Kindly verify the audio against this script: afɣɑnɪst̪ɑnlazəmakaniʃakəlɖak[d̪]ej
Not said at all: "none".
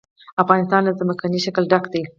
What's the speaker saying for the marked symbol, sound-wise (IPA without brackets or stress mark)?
d̪